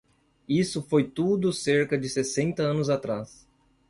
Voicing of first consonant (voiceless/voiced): voiceless